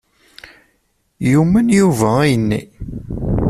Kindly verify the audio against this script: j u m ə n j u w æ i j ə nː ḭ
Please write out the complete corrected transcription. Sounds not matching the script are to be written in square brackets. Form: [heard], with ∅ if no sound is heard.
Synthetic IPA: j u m ə n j u [v] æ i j ə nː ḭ